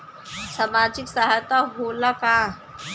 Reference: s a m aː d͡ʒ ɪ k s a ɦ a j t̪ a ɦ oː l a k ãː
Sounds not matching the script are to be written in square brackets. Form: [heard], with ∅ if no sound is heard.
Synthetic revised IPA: s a m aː d͡ʒ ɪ k s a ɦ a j t̪ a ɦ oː l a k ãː